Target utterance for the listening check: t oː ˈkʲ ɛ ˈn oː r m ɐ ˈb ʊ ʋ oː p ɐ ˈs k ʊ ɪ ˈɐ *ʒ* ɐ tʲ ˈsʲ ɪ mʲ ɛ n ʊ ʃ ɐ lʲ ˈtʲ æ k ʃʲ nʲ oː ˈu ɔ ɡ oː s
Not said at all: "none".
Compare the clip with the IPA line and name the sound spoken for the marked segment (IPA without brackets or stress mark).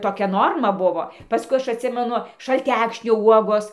ʃ